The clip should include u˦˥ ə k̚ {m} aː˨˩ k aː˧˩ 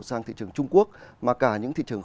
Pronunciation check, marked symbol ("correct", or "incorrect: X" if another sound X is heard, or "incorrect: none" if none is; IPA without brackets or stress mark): correct